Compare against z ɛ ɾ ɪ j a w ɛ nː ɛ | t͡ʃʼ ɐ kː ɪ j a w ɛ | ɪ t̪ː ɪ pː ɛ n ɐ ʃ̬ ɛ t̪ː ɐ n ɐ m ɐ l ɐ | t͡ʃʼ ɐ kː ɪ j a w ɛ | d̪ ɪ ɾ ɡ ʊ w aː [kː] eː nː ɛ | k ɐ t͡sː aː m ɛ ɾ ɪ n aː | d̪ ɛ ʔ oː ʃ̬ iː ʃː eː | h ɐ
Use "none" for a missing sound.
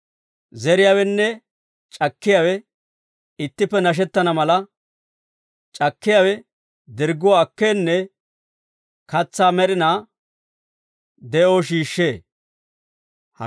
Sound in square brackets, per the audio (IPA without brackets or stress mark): kː